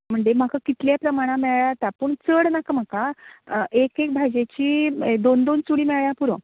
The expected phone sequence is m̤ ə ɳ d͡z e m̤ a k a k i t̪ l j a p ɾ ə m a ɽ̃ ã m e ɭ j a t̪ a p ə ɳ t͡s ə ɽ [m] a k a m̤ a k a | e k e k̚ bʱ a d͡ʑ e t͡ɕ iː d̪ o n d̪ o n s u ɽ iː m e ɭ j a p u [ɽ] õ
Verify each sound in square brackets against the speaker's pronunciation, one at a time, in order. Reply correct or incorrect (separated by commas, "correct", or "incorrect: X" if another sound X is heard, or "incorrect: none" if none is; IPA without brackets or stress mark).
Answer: incorrect: n, incorrect: ɾ